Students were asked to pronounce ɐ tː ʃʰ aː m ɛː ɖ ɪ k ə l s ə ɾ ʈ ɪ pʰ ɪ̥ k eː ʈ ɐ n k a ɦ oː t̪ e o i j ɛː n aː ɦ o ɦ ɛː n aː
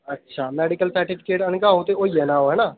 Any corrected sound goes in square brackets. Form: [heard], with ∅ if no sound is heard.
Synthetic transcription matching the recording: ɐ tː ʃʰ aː m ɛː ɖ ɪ k ə l s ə ɾ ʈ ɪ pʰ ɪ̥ k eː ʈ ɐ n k a ɦ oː t̪ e o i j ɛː n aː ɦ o ɦ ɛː n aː